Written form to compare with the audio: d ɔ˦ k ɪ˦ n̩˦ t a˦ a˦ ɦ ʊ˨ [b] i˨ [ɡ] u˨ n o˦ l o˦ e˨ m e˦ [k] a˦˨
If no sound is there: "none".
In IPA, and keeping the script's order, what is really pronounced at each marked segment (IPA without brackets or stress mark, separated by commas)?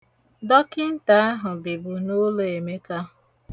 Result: b, b, k